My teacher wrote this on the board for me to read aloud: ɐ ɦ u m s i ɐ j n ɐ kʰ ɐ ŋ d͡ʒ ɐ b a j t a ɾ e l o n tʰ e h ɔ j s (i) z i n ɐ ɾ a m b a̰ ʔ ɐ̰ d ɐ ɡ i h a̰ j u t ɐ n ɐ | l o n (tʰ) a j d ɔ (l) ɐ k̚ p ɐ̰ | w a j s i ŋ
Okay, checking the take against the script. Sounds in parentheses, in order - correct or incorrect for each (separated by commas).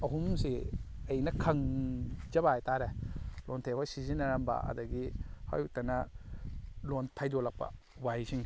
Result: correct, correct, correct